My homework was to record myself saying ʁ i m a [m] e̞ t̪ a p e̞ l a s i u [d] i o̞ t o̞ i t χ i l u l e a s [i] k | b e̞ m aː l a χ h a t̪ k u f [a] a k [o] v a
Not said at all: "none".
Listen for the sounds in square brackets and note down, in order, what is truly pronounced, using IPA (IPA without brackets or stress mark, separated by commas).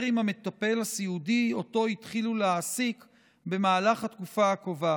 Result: m, d, i, a, o